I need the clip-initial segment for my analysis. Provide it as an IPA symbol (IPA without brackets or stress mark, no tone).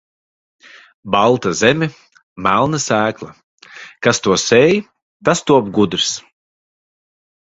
b